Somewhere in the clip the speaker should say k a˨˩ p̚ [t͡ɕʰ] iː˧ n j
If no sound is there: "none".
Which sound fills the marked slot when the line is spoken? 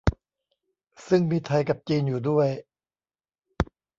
t͡ɕ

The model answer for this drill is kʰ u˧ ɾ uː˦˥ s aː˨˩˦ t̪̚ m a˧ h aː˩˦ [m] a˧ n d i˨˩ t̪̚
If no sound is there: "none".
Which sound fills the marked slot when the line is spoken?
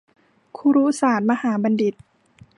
b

